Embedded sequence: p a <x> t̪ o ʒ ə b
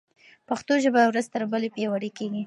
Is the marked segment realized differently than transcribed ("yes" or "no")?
no